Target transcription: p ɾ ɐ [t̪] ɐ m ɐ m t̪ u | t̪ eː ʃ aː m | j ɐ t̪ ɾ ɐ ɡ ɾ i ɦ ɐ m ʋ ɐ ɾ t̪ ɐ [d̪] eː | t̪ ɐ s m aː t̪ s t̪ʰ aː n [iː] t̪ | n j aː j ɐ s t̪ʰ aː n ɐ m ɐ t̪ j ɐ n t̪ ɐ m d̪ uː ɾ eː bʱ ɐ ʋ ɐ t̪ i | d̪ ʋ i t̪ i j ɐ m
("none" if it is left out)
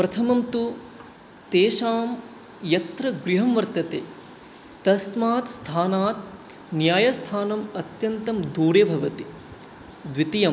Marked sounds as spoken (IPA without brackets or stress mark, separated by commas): t̪ʰ, t̪, aː